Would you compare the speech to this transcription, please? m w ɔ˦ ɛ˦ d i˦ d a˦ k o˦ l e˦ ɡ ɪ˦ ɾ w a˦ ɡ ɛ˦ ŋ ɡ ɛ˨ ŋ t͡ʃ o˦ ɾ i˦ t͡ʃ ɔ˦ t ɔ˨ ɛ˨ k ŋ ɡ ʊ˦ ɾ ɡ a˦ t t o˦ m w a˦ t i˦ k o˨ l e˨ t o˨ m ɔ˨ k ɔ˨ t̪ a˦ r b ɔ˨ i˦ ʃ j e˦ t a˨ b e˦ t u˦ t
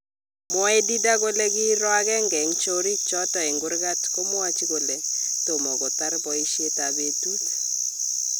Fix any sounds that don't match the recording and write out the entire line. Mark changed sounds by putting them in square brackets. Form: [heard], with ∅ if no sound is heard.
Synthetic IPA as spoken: m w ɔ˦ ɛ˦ d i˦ d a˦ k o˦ l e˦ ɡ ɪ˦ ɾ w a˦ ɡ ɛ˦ ŋ ɡ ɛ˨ ŋ t͡ʃ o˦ ɾ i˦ t͡ʃ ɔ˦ t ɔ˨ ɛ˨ [∅] ŋ ɡ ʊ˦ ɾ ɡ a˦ t [k] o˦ m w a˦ [t͡ʃ] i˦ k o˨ l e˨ t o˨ m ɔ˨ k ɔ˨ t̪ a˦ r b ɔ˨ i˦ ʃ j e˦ t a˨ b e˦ t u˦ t